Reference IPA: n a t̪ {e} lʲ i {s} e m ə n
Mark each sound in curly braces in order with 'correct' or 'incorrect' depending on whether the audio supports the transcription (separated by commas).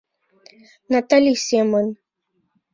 incorrect, correct